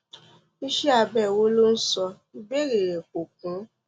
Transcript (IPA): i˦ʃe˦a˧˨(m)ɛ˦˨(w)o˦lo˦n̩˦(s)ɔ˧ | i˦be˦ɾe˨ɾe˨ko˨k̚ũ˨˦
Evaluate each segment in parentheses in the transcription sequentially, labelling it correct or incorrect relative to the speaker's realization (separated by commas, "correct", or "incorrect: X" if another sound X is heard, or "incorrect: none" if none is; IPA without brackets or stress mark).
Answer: incorrect: b, correct, correct